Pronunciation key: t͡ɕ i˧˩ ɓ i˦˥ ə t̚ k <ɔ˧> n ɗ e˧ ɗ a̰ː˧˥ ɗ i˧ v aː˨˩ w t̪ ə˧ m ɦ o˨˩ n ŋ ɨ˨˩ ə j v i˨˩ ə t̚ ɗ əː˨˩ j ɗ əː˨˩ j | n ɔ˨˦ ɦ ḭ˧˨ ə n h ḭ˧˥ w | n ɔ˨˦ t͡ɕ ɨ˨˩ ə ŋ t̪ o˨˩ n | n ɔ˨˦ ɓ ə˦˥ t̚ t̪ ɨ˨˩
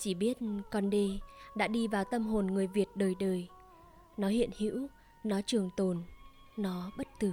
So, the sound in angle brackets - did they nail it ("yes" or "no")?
yes